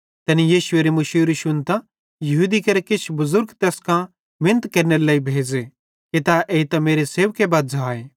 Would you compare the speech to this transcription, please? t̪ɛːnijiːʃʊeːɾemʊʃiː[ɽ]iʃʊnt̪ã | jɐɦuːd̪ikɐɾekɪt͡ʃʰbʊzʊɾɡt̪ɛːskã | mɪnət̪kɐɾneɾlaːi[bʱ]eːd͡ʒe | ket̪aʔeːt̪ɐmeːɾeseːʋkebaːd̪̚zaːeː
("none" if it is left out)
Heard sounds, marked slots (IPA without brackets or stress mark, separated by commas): ɾ, bʱ